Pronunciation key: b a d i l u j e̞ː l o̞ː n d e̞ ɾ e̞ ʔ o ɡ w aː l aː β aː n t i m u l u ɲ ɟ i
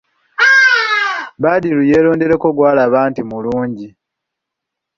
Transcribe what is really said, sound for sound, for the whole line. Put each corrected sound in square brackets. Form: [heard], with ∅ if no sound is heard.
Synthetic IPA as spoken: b a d i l u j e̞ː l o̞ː n d e̞ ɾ e̞ [k] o ɡ w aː l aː β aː n t i m u l [uː] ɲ ɟ i